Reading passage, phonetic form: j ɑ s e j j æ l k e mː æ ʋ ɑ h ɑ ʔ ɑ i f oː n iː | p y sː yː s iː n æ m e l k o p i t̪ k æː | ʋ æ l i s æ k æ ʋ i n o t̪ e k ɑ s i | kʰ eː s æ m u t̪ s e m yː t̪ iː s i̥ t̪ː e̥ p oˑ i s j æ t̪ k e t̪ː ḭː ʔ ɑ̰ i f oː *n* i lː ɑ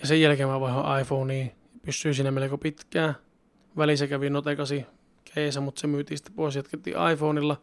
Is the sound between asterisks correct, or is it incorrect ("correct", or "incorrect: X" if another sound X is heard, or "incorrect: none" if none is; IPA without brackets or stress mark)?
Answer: correct